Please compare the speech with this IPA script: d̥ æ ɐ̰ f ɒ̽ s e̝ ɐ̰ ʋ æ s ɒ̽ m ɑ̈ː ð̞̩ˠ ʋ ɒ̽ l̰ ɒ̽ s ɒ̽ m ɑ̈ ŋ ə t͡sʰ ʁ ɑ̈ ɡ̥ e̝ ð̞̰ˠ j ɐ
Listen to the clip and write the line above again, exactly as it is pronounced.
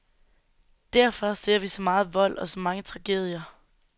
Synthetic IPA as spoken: d̥ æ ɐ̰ f ɒ̽ s e̝ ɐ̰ ʋ i s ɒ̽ m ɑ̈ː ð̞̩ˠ ʋ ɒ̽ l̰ ɒ̽ s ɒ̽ m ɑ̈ ŋ ə t͡sʰ ʁ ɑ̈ ɡ̥ e̝ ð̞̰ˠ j ɐ